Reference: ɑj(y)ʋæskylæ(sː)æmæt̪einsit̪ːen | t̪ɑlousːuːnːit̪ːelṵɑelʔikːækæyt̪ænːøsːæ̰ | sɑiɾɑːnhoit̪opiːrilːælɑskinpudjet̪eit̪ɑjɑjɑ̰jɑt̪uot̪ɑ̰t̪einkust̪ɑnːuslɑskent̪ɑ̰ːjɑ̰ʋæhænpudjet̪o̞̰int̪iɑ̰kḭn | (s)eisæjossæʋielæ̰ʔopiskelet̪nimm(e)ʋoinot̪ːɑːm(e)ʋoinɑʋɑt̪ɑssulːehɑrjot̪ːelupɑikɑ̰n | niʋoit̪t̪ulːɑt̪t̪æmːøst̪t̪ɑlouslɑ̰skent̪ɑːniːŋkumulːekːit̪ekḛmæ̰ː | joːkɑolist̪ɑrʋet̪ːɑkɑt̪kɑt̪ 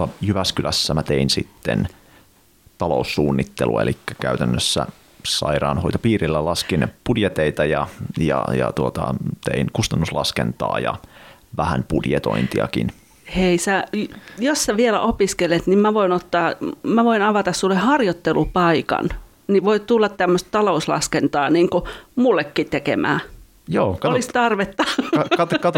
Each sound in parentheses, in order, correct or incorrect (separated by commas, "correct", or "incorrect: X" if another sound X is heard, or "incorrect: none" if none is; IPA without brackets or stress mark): correct, correct, incorrect: h, incorrect: æ, incorrect: æ